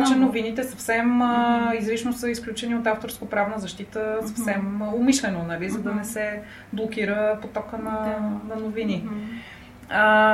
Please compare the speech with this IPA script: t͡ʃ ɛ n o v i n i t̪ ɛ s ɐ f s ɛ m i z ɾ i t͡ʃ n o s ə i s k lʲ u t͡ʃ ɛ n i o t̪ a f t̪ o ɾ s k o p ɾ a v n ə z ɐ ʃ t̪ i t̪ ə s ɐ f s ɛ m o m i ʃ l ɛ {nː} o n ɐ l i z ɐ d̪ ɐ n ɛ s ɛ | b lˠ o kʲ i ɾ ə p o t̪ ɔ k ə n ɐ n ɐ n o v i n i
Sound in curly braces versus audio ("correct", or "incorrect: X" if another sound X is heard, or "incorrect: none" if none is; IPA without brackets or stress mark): incorrect: n